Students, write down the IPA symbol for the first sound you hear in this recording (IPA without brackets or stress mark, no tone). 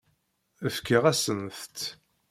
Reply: ə